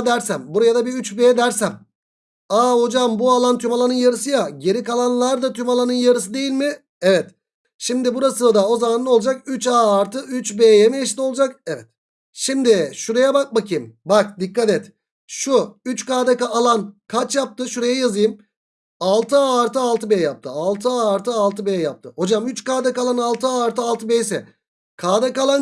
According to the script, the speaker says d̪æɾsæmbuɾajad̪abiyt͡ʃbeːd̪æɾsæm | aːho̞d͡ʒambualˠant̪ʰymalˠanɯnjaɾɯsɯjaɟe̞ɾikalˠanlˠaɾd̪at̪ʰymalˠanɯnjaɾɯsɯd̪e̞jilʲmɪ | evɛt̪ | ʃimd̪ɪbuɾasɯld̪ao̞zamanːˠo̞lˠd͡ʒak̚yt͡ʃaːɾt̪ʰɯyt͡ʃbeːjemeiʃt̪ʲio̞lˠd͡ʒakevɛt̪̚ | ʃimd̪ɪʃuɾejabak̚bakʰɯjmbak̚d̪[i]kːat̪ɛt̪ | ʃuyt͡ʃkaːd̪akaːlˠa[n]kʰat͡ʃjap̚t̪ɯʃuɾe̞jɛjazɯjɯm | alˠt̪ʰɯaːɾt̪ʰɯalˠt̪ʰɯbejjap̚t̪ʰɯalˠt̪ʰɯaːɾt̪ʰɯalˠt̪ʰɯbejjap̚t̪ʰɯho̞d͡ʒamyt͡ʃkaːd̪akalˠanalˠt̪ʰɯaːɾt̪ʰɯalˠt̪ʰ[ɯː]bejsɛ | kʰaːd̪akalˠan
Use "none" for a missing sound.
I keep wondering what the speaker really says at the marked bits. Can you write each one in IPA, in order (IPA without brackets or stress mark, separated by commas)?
i, n, ɯ